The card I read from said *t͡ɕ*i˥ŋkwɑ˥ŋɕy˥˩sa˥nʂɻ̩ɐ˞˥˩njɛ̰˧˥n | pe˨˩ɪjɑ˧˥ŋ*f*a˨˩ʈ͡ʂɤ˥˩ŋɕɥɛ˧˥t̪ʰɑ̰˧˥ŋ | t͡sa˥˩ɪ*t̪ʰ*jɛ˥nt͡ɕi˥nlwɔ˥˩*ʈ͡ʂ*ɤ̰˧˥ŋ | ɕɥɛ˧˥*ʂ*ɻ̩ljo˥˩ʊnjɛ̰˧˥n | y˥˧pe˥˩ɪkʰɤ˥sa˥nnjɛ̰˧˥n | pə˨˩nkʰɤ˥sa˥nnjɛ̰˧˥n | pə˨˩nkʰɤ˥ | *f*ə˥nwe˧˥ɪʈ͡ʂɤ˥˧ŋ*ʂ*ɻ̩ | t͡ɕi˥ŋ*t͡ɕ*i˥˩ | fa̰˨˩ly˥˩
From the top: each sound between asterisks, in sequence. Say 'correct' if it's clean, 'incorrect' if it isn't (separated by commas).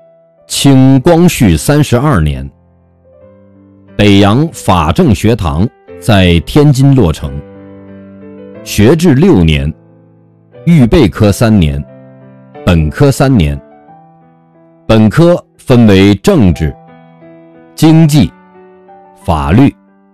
incorrect, correct, correct, incorrect, incorrect, correct, incorrect, correct